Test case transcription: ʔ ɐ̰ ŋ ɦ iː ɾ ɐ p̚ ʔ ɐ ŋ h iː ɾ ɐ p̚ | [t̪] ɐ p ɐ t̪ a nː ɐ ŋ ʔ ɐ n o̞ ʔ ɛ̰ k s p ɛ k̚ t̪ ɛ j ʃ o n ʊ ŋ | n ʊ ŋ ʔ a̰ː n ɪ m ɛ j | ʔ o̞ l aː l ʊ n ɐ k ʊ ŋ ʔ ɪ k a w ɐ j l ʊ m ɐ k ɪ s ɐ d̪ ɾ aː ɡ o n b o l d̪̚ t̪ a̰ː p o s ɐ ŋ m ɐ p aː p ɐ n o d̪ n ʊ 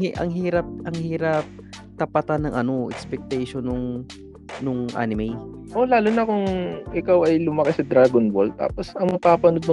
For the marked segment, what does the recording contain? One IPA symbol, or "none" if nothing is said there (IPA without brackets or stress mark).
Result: t̪